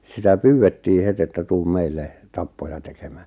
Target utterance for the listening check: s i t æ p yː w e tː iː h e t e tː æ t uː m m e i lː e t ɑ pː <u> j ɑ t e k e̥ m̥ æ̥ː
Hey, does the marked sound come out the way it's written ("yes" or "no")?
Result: no